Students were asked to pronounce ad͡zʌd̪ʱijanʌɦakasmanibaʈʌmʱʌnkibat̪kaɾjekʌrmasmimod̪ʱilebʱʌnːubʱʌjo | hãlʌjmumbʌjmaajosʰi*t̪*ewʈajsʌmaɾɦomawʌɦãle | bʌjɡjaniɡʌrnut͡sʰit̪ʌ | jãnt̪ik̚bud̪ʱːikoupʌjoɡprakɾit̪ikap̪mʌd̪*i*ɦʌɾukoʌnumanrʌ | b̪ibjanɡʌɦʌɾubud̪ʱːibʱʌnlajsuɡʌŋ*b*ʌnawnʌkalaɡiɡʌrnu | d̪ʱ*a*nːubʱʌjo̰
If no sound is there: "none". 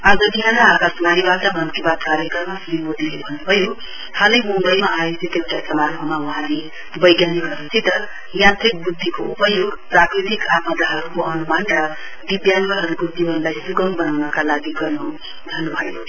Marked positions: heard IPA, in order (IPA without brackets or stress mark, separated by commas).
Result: t̪, a, b, ʌ